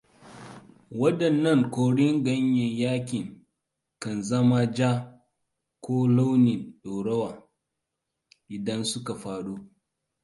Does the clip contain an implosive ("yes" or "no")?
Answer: yes